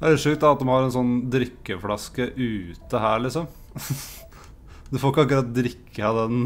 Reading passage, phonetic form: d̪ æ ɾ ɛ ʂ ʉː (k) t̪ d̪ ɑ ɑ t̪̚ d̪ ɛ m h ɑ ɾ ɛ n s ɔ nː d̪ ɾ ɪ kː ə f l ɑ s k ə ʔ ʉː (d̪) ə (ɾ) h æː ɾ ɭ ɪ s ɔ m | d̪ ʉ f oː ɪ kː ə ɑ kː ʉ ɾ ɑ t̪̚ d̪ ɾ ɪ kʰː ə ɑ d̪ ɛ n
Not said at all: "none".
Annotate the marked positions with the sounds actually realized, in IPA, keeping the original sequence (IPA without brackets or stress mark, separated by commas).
k, t̪, none